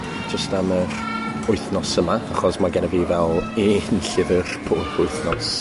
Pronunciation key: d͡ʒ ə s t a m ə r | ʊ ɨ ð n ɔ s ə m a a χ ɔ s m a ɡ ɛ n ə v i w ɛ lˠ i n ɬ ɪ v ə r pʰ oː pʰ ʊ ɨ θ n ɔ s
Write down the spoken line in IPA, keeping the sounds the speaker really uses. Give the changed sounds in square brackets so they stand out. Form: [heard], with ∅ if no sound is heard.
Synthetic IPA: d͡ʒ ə s t a m ə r | ʊ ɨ [θ] n ɔ s ə m a a χ ɔ s m a ɡ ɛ n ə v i [v] ɛ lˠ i n ɬ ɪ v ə r pʰ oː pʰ ʊ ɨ θ n ɔ s